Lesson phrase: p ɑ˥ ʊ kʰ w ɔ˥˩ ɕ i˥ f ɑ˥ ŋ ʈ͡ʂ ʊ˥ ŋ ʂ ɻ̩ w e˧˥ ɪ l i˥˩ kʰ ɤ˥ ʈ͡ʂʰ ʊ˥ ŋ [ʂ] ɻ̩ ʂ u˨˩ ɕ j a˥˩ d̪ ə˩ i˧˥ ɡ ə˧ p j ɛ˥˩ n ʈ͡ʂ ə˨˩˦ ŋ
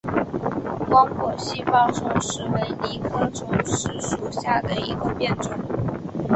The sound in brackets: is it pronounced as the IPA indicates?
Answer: yes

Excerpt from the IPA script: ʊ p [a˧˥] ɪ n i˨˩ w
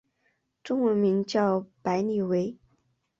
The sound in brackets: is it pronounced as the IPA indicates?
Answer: yes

